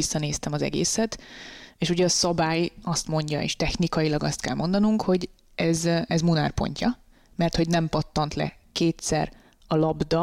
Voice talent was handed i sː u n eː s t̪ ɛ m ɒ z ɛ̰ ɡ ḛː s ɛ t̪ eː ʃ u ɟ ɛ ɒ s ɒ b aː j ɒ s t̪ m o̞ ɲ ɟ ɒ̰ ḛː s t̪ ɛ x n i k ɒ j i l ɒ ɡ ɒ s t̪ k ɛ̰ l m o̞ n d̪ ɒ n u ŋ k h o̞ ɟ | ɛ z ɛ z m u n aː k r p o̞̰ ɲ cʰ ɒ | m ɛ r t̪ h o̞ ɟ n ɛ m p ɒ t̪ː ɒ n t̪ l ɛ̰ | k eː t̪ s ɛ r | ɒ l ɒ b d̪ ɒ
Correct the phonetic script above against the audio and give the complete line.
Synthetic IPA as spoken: i sː ɒ n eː s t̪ ɛ m ɒ z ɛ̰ ɡ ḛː s ɛ t̪ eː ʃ u ɟ ɛ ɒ s ɒ b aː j ɒ s t̪ m o̞ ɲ ɟ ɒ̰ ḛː ʃ t̪ ɛ x n i k ɒ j i l ɒ ɡ ɒ s t̪ k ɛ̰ l m o̞ n d̪ ɒ n u ŋ k h o̞ ɟ | ɛ z ɛ z m u n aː r p o̞̰ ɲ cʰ ɒ | m ɛ r t̪ h o̞ ɟ n ɛ m p ɒ t̪ː ɒ n t̪ l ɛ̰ | k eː t̪ s ɛ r | ɒ l ɒ b d̪ ɒ